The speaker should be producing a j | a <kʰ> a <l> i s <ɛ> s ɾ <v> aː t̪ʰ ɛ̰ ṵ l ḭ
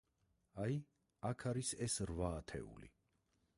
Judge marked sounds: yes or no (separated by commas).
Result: yes, no, yes, yes